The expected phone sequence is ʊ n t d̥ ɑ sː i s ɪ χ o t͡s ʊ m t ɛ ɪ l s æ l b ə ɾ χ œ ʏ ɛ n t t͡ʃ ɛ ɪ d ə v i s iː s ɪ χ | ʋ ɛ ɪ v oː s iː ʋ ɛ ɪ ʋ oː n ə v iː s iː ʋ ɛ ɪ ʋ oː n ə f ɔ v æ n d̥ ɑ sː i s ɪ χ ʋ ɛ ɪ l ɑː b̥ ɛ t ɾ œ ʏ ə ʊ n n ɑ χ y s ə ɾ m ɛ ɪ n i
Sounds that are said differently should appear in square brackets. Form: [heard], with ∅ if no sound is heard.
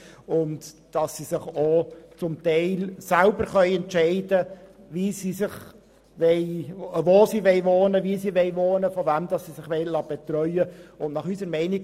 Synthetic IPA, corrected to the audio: ʊ n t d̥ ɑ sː i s ɪ χ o t͡s ʊ m t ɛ ɪ l s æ l b ə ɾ χ œ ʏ ɛ n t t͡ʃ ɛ ɪ d ə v i s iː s ɪ χ | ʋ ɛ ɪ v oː s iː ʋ ɛ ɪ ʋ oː n ə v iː s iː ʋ ɛ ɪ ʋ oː n ə f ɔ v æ [m] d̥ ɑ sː i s ɪ χ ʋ ɛ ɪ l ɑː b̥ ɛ t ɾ œ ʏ ə ʊ n n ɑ χ y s ə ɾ m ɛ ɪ n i